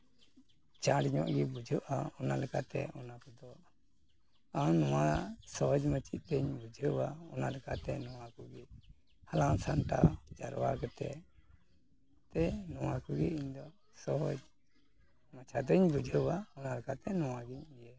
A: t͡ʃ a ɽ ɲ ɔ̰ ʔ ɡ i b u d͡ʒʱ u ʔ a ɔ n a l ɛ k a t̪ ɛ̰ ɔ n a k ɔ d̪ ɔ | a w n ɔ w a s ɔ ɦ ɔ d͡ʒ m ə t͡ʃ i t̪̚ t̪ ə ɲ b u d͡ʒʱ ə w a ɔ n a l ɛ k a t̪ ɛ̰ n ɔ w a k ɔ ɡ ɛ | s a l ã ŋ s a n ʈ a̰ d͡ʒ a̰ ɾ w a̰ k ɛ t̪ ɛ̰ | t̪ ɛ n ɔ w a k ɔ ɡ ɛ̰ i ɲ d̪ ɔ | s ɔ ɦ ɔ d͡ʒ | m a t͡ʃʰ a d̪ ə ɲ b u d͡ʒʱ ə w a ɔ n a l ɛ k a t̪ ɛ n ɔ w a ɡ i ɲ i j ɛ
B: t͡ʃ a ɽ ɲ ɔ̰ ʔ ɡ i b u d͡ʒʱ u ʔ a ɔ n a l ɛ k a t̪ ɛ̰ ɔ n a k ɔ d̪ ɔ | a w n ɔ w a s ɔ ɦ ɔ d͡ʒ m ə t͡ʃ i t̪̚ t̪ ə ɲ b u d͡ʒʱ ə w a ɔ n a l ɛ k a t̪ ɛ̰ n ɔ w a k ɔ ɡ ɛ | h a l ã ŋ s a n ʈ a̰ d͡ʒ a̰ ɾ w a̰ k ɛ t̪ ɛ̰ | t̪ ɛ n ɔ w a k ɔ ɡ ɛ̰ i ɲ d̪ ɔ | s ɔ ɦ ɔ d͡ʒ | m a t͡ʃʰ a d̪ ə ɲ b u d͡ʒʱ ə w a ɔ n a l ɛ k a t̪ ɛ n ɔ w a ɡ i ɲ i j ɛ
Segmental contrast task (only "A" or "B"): B